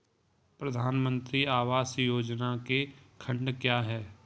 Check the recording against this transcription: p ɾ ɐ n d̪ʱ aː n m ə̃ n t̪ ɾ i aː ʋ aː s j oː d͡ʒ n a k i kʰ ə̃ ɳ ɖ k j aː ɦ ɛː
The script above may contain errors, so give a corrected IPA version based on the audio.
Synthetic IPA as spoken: p ɾ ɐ d̪ʱ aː n m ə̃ n t̪ ɾ i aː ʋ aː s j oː d͡ʒ n a k e kʰ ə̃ ɳ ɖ k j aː ɦ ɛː

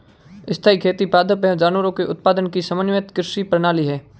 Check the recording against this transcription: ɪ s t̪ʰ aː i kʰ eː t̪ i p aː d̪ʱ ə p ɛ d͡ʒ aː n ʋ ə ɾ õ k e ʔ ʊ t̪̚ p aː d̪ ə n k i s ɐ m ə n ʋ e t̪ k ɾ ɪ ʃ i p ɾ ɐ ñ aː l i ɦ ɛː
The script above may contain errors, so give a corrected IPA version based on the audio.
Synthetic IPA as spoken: ɪ s t̪ʰ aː i kʰ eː t̪ i p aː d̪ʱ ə p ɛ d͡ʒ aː n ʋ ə ɾ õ k e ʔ ʊ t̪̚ p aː d̪ ə n k i s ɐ m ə n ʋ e t̪ k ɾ ɪ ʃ i p ɾ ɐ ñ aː l i ɦ ɛː

